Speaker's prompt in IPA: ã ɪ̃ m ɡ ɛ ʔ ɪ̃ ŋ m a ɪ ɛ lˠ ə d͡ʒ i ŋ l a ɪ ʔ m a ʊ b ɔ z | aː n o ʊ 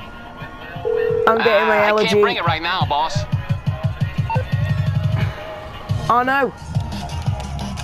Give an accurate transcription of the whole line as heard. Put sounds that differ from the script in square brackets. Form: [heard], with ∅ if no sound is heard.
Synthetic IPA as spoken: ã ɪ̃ m ɡ ɛ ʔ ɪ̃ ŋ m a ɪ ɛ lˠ ə d͡ʒ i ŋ [ɹ] a ɪ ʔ [n] a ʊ b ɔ [s] | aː n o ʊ